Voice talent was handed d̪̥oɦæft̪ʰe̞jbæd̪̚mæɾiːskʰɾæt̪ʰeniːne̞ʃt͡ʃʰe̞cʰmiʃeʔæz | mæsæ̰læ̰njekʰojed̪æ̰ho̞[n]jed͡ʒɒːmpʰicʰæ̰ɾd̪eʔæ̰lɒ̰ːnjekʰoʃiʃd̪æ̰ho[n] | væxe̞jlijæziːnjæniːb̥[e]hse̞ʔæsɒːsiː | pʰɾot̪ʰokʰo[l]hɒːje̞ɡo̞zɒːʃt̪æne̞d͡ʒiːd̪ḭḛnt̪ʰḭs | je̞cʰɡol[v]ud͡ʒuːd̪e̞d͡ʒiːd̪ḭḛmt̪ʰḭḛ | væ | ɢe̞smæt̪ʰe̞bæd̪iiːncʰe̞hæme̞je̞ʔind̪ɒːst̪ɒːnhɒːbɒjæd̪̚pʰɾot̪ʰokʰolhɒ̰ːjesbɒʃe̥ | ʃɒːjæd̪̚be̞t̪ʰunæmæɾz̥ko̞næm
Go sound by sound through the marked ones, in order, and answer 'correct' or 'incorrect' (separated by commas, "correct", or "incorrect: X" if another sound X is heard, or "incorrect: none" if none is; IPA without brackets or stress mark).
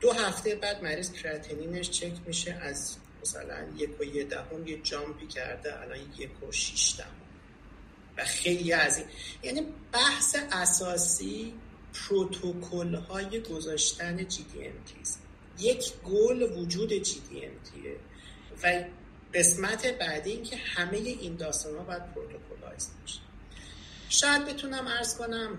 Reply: incorrect: m, incorrect: m, incorrect: æ, correct, correct